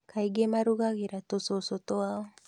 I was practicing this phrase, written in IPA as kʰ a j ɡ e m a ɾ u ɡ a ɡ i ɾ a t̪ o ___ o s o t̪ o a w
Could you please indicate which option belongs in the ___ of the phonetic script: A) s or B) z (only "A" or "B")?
A